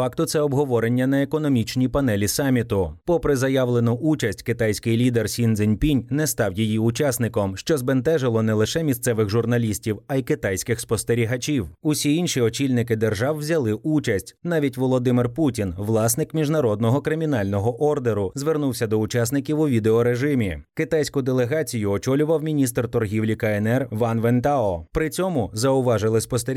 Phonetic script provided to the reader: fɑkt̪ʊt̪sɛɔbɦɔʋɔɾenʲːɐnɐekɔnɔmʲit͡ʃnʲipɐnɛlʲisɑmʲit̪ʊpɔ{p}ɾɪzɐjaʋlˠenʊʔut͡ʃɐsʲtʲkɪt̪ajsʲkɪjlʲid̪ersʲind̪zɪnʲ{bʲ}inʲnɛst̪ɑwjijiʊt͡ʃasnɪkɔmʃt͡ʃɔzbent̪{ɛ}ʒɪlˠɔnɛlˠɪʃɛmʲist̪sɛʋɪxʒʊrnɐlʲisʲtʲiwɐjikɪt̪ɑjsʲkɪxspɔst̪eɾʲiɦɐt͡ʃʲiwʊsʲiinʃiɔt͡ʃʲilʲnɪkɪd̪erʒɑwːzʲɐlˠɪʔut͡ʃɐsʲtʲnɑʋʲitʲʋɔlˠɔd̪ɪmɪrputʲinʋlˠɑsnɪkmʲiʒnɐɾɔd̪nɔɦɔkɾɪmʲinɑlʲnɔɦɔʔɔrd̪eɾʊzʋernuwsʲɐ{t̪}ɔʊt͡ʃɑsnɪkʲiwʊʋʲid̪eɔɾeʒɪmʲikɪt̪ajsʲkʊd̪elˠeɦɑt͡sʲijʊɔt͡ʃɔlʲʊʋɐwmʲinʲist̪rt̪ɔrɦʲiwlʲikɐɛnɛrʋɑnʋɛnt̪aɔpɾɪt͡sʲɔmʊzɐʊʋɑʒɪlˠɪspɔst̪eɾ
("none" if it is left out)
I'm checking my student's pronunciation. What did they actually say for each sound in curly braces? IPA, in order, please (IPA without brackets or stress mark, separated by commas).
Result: p, pʲ, ɛ, d̪